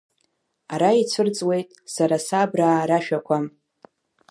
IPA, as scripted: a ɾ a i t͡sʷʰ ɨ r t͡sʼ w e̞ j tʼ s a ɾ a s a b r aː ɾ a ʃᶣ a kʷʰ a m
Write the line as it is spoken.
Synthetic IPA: a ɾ a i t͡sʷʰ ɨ r t͡sʼ w e̞ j tʼ s a ɾ a s a b r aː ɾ a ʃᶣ a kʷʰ a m